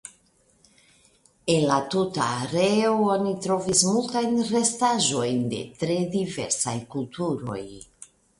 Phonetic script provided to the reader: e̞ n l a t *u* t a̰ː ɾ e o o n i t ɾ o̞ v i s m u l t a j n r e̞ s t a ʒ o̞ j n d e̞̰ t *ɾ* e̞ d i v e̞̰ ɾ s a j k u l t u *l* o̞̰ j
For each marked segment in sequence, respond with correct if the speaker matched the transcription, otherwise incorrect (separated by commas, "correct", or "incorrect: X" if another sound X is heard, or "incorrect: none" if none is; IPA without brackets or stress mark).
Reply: correct, correct, incorrect: ɾ